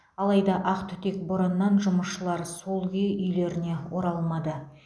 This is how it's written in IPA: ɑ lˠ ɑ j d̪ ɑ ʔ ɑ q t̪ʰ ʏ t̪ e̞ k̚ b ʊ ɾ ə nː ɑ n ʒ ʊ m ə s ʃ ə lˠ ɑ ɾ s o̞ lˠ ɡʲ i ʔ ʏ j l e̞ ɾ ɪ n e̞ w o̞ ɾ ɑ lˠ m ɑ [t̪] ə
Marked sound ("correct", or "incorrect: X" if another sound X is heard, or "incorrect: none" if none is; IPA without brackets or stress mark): incorrect: d̪